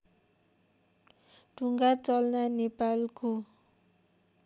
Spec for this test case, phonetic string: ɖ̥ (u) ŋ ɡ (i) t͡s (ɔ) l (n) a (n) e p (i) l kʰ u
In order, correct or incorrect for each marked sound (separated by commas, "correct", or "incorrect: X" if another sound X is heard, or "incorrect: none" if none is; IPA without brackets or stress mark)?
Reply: correct, incorrect: a, correct, correct, correct, incorrect: a